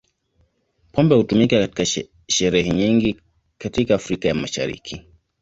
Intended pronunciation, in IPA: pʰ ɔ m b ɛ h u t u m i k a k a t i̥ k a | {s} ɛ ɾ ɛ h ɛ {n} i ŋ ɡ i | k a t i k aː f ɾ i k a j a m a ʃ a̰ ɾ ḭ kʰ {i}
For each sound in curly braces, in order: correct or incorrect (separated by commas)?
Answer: incorrect, incorrect, correct